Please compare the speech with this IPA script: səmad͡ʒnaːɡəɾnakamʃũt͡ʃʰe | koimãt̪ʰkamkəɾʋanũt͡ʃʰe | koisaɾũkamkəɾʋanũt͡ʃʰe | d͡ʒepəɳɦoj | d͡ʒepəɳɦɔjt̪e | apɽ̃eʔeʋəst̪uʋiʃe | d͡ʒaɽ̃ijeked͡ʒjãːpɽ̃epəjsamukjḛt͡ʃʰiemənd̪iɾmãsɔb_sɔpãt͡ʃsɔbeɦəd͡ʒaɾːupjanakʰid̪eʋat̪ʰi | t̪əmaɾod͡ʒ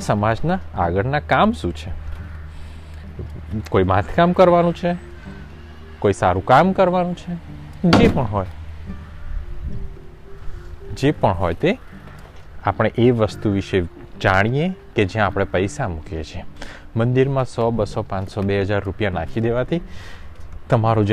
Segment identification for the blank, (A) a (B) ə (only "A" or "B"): B